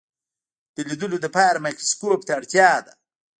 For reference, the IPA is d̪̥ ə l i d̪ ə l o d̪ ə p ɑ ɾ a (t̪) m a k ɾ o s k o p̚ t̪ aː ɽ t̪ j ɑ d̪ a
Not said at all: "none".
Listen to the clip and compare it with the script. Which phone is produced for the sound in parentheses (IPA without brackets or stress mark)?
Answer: none